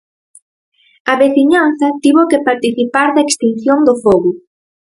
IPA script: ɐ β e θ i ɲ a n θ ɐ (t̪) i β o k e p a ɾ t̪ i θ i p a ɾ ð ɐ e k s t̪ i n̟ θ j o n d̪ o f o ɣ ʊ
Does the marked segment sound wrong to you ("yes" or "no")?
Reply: no